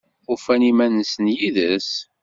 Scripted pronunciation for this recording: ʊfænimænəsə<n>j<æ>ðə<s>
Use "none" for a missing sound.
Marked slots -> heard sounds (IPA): n, i, s

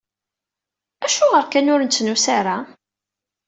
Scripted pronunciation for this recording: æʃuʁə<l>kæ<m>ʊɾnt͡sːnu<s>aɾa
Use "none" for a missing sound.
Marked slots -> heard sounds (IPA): ɾ, n, s

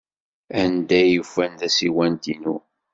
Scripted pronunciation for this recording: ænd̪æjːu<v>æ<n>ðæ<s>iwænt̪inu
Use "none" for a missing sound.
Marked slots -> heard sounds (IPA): f, n, s

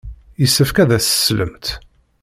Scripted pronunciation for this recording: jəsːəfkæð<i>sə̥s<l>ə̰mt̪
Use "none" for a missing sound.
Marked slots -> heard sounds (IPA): æ, l

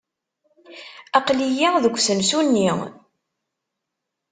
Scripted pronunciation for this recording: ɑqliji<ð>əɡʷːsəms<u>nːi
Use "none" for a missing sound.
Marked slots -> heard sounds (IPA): ð, u

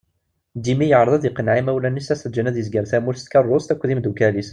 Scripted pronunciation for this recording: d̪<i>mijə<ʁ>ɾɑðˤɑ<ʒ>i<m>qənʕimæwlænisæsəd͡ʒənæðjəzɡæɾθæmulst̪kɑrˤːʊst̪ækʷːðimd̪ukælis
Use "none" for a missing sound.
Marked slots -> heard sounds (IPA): i, ʕ, ð, none

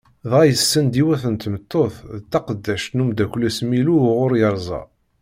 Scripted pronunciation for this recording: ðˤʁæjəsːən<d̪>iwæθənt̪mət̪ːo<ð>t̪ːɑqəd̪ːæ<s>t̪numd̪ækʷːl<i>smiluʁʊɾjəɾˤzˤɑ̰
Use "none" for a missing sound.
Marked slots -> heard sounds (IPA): d̪, θ, ʃ, æ

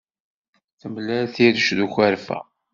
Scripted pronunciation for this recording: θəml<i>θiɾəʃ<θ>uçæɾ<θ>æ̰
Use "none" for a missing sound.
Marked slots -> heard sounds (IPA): æ, ð, f

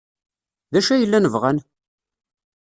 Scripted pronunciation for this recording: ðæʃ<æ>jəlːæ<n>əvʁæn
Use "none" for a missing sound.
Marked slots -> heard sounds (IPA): æ, n

